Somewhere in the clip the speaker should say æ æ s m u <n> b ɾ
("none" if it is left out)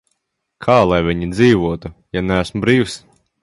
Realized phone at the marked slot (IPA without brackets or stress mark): none